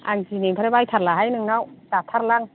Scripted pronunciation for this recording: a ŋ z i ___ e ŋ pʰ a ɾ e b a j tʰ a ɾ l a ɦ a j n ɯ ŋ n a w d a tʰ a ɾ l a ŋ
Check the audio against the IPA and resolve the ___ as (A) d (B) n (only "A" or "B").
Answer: B